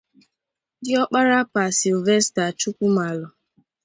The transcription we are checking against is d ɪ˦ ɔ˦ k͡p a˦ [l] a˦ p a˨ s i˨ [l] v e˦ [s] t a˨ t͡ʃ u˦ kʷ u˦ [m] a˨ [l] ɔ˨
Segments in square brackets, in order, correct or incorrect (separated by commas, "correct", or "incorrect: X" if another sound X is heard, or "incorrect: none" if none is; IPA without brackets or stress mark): incorrect: ɾ, correct, correct, correct, correct